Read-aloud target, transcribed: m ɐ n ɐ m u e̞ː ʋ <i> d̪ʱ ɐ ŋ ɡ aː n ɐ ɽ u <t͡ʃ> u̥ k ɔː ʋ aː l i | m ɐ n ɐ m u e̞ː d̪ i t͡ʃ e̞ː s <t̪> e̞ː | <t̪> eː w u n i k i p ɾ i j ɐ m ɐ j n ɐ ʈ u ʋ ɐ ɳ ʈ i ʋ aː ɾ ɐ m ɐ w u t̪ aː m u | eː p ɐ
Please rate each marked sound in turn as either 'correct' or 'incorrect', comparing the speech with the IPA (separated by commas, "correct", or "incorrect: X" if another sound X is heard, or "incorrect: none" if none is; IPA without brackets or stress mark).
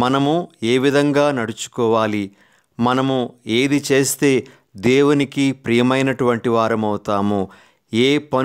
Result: correct, correct, correct, incorrect: d̪